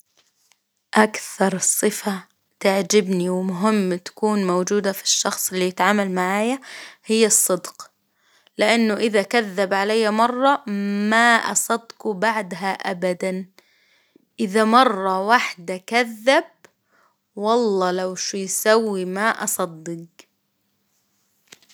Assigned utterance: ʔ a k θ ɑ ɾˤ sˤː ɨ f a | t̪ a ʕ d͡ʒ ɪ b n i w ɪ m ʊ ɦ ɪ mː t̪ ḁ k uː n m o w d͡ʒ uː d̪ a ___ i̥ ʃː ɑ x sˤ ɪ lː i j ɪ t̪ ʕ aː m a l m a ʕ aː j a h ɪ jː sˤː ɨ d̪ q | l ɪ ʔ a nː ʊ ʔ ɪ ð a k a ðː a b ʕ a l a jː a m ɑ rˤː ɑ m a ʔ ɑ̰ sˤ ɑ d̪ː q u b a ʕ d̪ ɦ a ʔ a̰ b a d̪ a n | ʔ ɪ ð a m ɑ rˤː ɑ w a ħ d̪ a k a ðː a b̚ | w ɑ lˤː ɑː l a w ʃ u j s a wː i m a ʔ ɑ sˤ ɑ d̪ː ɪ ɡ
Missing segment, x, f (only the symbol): f